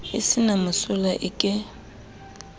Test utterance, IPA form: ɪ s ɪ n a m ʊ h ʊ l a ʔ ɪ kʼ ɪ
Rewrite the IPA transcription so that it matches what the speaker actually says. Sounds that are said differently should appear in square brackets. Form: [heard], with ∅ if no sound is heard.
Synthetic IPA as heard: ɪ s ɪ n a m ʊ [s] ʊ l a ʔ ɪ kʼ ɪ